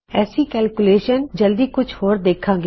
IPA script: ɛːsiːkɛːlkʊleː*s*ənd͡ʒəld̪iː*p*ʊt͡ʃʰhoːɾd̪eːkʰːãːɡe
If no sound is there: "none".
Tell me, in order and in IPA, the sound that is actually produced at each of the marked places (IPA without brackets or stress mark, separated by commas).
ʃ, k